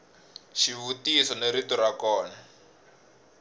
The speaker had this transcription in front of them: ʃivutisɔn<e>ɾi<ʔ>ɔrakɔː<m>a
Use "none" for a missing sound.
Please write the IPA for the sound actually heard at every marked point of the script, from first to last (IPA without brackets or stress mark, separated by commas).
e, t, n